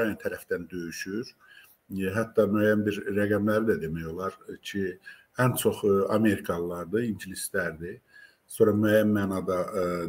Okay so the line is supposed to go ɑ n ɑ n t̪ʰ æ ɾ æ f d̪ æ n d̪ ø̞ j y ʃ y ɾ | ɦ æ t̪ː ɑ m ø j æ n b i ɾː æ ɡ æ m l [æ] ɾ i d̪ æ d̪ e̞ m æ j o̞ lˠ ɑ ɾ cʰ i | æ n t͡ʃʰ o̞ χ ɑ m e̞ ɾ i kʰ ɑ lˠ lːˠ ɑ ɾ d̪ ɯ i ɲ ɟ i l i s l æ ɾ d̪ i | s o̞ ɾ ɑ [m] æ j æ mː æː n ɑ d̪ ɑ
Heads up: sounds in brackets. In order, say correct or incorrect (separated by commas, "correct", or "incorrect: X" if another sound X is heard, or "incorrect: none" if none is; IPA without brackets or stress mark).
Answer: correct, correct